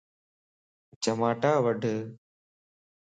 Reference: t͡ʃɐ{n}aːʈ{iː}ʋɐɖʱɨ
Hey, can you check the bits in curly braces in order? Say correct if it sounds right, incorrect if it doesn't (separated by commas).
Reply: incorrect, incorrect